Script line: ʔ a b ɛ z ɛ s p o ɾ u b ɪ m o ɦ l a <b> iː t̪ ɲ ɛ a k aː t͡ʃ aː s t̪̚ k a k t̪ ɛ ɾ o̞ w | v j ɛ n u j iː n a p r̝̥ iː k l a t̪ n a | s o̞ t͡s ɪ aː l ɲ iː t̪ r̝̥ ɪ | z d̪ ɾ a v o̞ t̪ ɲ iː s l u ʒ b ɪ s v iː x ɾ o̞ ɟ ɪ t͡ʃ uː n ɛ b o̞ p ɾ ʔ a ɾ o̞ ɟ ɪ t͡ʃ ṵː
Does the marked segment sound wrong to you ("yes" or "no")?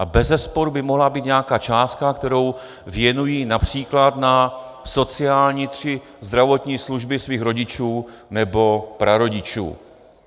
no